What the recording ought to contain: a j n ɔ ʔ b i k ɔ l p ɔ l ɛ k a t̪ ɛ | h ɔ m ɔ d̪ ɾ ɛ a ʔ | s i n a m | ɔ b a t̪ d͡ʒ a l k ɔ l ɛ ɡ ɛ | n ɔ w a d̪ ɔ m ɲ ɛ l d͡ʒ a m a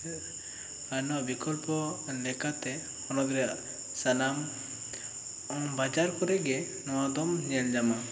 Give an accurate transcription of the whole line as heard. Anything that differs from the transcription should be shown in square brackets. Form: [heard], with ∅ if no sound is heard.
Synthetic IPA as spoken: a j n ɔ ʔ b i k ɔ l p ɔ l ɛ k a t̪ ɛ | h ɔ [n] ɔ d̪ ɾ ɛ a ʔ | s [a] n a m | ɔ b a [∅] d͡ʒ a [ɾ] k ɔ [ɾ] ɛ ɡ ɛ | n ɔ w a d̪ ɔ m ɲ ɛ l d͡ʒ a m a

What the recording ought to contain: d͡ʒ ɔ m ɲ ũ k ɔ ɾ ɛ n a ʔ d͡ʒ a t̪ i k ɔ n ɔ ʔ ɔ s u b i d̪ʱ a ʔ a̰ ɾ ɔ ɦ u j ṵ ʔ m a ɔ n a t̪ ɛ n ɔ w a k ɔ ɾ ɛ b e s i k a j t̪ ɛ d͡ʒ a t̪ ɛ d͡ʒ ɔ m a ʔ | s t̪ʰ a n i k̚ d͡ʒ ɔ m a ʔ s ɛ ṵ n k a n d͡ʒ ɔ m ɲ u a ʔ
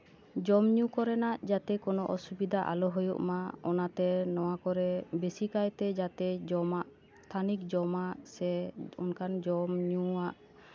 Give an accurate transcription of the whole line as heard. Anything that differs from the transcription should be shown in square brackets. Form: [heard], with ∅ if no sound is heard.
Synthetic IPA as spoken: d͡ʒ ɔ m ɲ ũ k ɔ ɾ ɛ n a ʔ d͡ʒ a t̪ [ɛ] k ɔ n ɔ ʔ ɔ s u b i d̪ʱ a ʔ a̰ [l] ɔ ɦ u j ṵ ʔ m a ɔ n a t̪ ɛ n ɔ w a k ɔ ɾ ɛ b e s i k a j t̪ ɛ d͡ʒ a t̪ ɛ d͡ʒ ɔ m a ʔ | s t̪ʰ a n i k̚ d͡ʒ ɔ m a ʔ s ɛ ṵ n k a n d͡ʒ ɔ m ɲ u a ʔ

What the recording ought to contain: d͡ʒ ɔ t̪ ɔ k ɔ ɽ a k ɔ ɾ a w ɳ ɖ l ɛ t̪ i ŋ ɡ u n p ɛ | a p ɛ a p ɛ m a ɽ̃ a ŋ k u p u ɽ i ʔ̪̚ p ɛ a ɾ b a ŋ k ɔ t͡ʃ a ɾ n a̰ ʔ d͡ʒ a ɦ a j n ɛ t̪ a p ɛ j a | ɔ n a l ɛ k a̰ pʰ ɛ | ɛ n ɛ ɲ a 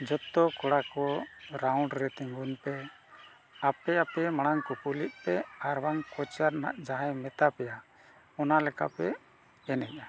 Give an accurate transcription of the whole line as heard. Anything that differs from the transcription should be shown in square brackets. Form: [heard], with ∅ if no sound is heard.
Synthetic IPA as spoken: d͡ʒ ɔ t̪ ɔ k ɔ ɽ a k ɔ ɾ a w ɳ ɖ [ɾ] ɛ t̪ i ŋ ɡ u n p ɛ | a p ɛ a p ɛ m a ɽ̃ a ŋ k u p u [l] i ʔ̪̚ p ɛ a ɾ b a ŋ k ɔ t͡ʃ a ɾ n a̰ ʔ d͡ʒ a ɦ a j [m] ɛ t̪ a p ɛ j a | ɔ n a l ɛ k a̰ [p] ɛ | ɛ n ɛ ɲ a

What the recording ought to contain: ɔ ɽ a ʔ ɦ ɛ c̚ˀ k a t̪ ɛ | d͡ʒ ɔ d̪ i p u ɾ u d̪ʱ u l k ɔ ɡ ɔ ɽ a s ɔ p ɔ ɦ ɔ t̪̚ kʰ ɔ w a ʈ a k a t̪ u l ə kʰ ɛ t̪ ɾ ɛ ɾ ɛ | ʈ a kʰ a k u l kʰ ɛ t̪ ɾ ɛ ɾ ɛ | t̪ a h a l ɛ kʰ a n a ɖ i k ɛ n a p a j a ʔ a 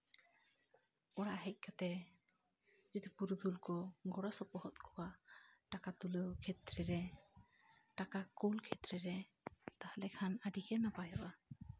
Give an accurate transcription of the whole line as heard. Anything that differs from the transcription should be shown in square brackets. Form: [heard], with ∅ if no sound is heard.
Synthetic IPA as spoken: ɔ ɽ a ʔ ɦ ɛ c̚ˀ k a t̪ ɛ | d͡ʒ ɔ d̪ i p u ɾ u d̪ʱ u l k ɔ ɡ ɔ ɽ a s ɔ p ɔ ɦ ɔ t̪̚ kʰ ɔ w a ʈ a k a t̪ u l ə kʰ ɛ t̪ ɾ ɛ ɾ ɛ | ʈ a [k] a k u l kʰ ɛ t̪ ɾ ɛ ɾ ɛ | t̪ a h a l ɛ kʰ a n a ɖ i k ɛ n a p a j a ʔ a

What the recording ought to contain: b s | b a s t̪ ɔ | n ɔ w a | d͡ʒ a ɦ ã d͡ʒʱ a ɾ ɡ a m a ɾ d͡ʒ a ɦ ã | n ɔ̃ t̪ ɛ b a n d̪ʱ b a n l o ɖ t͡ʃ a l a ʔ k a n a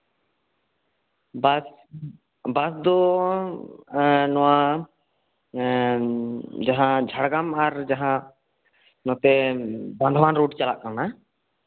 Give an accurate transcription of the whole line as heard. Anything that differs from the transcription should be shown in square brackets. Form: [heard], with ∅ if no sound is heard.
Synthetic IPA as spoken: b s | b a s [d̪] ɔ | n ɔ w a | d͡ʒ a ɦ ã d͡ʒʱ a [ɽ] ɡ a m a ɾ d͡ʒ a ɦ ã | n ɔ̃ t̪ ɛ b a n d̪ʱ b a n [ɾ] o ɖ t͡ʃ a l a ʔ k a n a

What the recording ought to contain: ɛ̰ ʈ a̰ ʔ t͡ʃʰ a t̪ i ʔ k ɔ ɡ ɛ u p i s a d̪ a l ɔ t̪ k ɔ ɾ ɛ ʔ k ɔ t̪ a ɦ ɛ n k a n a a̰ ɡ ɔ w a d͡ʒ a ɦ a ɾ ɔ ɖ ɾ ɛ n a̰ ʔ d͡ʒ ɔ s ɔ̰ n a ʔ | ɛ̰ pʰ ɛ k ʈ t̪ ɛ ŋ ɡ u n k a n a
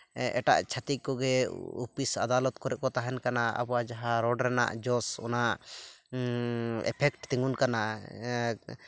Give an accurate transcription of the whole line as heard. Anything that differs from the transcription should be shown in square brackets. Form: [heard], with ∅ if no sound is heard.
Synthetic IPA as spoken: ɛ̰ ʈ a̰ ʔ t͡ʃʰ a t̪ i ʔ k ɔ ɡ ɛ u p i s a d̪ a l ɔ t̪ k ɔ ɾ ɛ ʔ k ɔ t̪ a ɦ ɛ n k a n a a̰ [b] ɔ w a d͡ʒ a ɦ a ɾ ɔ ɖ ɾ ɛ n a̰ ʔ d͡ʒ ɔ s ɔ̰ n a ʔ | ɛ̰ pʰ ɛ k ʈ t̪ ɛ ŋ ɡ u n k a n a

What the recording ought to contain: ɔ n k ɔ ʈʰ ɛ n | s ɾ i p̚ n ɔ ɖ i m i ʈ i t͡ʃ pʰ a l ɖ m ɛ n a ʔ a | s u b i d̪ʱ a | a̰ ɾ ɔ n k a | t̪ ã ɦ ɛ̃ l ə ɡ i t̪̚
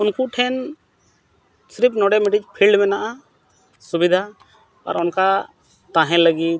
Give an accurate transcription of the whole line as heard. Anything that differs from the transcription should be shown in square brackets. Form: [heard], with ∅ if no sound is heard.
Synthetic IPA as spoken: [u] n k [u] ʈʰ ɛ n | s ɾ i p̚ n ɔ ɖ [ɛ] m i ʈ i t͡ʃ pʰ [i] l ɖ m ɛ n a ʔ a | s u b i d̪ʱ a | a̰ ɾ ɔ n k a | t̪ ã ɦ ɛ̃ l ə ɡ i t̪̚

